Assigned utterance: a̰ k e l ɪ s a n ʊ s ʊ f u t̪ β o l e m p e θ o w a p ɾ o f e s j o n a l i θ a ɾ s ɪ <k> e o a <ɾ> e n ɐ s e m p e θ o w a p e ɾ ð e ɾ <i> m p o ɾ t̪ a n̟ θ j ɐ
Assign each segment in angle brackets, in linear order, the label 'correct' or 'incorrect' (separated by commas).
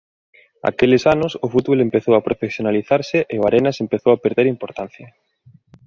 incorrect, correct, correct